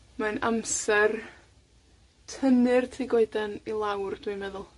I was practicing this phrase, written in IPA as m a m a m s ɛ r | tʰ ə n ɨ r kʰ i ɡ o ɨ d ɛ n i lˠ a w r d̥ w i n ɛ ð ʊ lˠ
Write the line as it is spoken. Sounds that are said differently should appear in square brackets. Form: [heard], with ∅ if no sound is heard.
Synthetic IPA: m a [n] a m s ɛ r | tʰ ə n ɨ r [tʰ] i ɡ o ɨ d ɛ n i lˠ a w r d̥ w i [m] ɛ ð ʊ lˠ